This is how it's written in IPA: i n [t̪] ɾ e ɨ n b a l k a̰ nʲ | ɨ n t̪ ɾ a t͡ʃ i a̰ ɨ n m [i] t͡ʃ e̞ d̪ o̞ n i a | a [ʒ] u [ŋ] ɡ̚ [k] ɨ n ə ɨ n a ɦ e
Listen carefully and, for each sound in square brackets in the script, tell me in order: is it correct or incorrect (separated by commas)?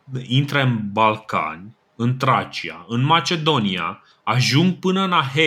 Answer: correct, incorrect, correct, correct, incorrect